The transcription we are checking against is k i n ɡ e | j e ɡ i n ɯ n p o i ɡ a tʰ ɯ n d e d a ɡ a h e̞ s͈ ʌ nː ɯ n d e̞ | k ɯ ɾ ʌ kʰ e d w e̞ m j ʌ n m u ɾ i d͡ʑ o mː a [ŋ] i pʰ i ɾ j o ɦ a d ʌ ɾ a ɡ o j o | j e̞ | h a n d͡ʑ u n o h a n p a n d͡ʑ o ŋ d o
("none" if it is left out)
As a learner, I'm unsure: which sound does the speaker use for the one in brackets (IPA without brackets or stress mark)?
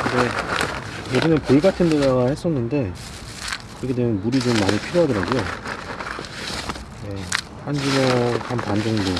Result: ɲ